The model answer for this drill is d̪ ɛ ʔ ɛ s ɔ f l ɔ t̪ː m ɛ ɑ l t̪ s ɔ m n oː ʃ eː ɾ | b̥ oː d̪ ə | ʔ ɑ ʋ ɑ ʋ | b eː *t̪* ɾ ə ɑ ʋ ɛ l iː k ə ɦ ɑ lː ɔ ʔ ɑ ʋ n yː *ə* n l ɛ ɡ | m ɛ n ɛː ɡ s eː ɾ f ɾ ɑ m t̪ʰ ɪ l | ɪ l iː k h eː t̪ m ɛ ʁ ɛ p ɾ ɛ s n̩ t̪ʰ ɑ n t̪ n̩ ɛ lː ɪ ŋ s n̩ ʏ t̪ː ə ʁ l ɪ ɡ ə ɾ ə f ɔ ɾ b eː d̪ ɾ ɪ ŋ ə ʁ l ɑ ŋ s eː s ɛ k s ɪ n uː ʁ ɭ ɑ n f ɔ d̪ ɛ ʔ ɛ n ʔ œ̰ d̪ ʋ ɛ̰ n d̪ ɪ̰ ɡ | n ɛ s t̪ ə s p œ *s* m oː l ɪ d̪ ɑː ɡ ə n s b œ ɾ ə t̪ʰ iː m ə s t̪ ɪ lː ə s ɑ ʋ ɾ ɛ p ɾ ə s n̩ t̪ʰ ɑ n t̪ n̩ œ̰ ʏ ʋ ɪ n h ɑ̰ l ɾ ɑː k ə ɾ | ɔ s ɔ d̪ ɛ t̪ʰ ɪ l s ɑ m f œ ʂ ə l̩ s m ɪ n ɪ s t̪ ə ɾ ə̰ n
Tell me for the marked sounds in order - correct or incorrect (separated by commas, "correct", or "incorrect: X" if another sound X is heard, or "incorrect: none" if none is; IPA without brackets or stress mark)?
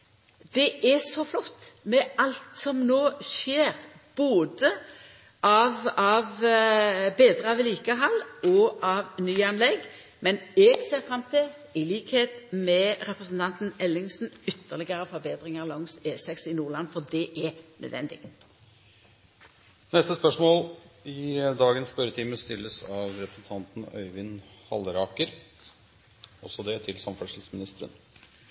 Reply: incorrect: d̪, incorrect: ɑ, incorrect: ʂ